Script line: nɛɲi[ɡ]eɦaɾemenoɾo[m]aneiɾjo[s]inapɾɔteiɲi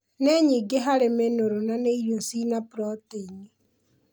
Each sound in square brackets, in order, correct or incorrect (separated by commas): correct, incorrect, correct